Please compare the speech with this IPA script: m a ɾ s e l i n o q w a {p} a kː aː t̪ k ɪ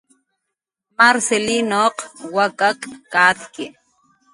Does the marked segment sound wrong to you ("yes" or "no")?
yes